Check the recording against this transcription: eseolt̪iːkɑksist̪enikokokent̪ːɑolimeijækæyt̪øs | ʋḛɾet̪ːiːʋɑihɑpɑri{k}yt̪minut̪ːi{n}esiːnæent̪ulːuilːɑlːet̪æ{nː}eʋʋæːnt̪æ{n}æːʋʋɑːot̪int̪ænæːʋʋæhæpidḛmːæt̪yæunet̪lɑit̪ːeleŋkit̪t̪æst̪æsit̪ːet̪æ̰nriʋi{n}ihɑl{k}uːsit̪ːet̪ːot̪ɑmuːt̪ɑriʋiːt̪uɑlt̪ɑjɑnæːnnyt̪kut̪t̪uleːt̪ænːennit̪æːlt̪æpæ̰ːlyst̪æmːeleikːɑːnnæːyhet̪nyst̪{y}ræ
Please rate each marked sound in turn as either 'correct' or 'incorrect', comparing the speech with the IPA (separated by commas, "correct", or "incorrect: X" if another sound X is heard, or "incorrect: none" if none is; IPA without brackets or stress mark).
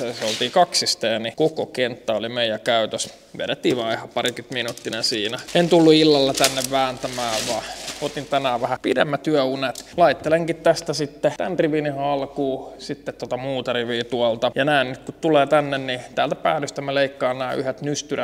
correct, correct, correct, incorrect: m, correct, correct, correct